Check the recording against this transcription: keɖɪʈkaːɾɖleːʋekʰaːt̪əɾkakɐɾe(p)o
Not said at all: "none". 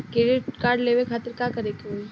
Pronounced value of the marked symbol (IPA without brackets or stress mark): k